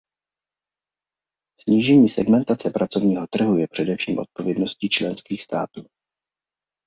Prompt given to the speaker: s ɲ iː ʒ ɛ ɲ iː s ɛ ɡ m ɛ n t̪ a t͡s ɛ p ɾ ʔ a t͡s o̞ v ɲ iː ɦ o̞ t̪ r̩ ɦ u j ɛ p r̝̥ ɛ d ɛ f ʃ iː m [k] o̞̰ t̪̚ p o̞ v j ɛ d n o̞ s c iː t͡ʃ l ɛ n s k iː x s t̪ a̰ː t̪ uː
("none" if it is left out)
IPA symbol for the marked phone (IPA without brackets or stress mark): ʔ